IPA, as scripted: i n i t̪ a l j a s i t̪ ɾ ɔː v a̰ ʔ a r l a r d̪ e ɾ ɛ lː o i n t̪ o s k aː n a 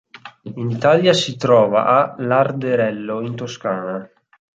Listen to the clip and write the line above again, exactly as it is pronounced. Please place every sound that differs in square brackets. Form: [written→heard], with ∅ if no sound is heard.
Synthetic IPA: i n i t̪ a l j a s i t̪ ɾ ɔː v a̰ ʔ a [r→∅] l a r d̪ e ɾ ɛ lː o i n t̪ o s k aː n a